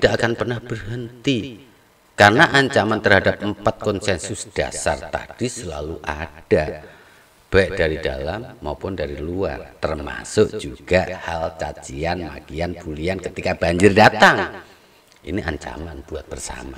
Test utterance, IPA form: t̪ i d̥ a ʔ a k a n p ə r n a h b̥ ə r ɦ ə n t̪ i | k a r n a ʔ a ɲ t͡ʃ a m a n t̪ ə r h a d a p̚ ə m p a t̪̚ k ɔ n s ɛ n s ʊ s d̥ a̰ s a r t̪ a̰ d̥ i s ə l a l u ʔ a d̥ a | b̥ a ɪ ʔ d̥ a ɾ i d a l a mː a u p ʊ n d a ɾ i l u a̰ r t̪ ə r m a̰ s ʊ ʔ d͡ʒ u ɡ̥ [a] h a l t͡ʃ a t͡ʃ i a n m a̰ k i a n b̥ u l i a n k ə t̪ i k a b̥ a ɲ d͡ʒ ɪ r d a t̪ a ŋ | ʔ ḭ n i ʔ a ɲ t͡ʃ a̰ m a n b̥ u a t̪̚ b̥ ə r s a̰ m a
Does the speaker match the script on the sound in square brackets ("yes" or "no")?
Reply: yes